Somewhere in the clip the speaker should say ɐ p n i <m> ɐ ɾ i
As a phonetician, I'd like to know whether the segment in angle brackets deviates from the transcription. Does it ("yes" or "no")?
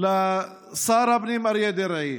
no